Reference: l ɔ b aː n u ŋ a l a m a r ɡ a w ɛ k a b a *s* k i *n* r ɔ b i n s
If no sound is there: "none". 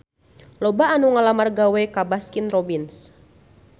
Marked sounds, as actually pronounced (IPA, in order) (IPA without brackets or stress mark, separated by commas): s, n